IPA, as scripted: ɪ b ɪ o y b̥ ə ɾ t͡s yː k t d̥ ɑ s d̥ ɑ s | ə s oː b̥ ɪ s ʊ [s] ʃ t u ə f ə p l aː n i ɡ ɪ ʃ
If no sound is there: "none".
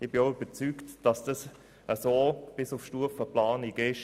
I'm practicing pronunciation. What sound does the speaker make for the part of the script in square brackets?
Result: f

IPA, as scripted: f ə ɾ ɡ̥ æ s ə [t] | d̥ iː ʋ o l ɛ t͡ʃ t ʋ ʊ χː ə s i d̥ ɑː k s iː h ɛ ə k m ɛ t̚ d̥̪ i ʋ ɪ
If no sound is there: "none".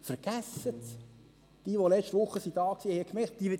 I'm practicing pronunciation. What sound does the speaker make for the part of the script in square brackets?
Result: t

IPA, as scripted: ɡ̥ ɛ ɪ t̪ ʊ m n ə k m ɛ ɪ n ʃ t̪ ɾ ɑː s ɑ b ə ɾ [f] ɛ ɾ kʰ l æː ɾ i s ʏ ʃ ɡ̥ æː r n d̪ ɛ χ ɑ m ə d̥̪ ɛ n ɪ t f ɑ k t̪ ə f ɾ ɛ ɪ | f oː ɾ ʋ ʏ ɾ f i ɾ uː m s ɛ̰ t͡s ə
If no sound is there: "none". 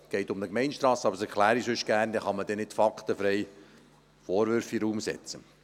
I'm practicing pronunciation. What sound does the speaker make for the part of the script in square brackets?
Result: s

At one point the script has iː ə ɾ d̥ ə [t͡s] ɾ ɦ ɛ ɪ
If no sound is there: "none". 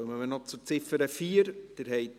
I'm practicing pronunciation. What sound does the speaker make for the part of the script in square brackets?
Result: none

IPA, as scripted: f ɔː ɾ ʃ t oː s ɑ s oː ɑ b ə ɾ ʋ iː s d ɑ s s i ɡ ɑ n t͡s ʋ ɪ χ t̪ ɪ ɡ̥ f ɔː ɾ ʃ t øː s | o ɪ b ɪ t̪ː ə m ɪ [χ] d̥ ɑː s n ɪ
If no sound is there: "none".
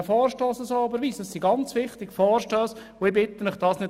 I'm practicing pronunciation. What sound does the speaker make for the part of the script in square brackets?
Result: χ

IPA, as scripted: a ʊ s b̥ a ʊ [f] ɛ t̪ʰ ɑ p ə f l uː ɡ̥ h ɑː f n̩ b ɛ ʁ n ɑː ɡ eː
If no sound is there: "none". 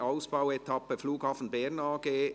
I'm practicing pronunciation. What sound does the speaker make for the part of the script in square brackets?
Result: none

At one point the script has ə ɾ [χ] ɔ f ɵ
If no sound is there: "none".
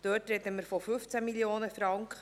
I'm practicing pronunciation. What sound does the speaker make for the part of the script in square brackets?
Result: f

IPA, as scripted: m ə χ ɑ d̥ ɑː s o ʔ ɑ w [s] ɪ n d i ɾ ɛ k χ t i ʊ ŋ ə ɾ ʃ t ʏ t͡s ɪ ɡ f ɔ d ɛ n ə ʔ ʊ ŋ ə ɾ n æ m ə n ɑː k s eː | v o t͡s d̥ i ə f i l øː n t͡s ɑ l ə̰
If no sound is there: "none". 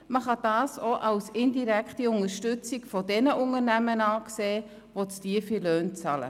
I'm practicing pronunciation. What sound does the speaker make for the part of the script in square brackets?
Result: s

